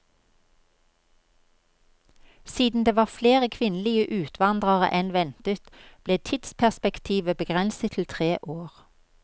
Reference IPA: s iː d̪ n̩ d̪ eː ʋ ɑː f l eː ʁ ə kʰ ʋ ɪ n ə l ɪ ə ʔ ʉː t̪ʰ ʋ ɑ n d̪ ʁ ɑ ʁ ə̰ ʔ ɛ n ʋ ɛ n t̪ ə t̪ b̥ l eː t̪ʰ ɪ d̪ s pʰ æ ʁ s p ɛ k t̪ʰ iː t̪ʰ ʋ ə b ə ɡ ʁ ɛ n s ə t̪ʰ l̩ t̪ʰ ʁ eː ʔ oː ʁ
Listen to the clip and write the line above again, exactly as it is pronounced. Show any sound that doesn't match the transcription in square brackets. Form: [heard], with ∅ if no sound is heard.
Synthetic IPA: s iː d̪ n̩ d̪ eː ʋ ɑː f l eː ʁ ə kʰ ʋ ɪ n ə l ɪ ə ʔ ʉː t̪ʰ ʋ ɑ n d̪ ʁ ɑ ʁ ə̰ ʔ ɛ n ʋ ɛ n t̪ ə t̪ b̥ l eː t̪ʰ ɪ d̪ s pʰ æ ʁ s p ɛ k t̪ʰ iː [∅] ʋ ə b ə ɡ ʁ ɛ n s ə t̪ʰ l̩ t̪ʰ ʁ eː ʔ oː ʁ